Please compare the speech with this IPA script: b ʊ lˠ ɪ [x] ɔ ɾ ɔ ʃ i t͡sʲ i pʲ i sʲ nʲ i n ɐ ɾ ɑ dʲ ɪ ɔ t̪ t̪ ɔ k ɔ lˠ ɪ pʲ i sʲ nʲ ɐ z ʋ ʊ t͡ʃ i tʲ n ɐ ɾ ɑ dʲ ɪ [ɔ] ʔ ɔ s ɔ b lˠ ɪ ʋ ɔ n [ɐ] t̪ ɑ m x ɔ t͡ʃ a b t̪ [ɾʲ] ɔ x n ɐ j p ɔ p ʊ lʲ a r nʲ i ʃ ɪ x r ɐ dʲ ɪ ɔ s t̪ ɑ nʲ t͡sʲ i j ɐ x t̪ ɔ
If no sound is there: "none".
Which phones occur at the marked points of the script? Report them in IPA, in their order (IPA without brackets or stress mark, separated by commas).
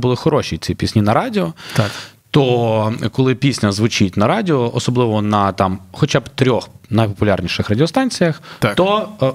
x, ɔ, ɐ, ɾʲ